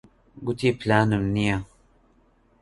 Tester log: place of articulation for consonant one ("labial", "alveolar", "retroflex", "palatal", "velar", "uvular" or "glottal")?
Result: velar